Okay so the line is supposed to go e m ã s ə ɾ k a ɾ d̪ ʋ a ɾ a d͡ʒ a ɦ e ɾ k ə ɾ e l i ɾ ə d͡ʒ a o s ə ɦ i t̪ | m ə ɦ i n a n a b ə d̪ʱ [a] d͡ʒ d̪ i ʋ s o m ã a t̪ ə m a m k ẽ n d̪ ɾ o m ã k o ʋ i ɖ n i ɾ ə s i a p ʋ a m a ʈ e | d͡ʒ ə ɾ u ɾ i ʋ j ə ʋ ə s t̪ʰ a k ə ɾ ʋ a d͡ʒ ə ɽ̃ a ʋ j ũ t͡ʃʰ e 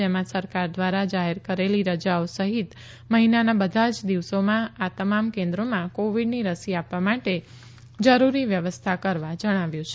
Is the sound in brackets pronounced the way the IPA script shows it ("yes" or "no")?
yes